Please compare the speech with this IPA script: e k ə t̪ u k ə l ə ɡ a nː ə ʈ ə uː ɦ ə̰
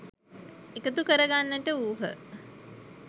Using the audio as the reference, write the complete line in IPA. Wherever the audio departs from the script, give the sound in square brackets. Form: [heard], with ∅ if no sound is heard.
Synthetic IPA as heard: e k ə t̪ u k ə [ɾ] ə ɡ a nː ə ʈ ə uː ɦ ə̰